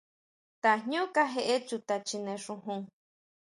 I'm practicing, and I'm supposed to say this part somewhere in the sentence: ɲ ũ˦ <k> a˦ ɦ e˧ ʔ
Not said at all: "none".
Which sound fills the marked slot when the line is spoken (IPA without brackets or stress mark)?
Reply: k